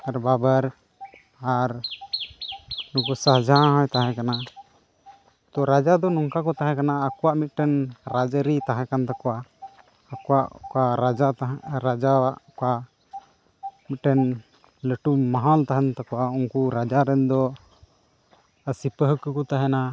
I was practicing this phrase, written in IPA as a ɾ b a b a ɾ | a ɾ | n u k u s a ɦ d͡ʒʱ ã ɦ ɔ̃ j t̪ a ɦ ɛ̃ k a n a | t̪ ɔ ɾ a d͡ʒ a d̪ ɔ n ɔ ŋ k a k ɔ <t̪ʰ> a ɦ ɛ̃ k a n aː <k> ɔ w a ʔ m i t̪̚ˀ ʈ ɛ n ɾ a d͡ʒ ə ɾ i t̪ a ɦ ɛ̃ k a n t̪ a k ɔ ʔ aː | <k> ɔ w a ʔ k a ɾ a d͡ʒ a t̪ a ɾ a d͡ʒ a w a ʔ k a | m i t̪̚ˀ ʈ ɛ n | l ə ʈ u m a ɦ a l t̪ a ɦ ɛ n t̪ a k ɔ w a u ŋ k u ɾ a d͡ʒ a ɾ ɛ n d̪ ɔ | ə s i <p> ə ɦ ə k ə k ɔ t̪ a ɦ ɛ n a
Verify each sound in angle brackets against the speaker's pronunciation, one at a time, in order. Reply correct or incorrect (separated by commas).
incorrect, correct, correct, correct